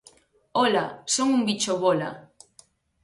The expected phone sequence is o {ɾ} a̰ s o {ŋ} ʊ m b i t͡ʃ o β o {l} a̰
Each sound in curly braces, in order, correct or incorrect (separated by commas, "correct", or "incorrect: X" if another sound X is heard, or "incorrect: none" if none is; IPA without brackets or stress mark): incorrect: l, correct, correct